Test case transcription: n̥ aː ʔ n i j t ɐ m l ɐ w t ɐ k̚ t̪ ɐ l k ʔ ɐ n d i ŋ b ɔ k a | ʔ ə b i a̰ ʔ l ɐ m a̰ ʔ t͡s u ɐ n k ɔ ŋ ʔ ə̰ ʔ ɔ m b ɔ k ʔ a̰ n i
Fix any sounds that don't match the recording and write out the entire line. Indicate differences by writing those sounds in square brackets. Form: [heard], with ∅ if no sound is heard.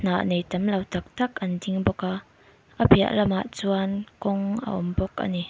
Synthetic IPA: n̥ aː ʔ n [e] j t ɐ m l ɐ w t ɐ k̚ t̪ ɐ [∅] k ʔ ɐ n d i ŋ b ɔ k a | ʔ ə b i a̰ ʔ l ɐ m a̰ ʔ t͡s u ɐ n k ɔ ŋ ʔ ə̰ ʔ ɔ m b ɔ k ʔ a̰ n i